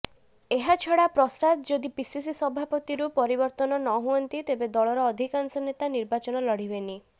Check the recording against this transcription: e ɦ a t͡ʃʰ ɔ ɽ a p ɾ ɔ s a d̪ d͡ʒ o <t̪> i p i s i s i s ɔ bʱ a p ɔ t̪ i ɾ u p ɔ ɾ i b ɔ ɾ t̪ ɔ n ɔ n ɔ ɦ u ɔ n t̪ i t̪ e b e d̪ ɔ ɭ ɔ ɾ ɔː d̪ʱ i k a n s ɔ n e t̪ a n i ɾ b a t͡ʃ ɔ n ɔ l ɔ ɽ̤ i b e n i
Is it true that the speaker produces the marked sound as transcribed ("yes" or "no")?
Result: no